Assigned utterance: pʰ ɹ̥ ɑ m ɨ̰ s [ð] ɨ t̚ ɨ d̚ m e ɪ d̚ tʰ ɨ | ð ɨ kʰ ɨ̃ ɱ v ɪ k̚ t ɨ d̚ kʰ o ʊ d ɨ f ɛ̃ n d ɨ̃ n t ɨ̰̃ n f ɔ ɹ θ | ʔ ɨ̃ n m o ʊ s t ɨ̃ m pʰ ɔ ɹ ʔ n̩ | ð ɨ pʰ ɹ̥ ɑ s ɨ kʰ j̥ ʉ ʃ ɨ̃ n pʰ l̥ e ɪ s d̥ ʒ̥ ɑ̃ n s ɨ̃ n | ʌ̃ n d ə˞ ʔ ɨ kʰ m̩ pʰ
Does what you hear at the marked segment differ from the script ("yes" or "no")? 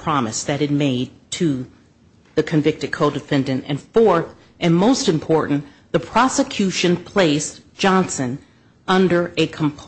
no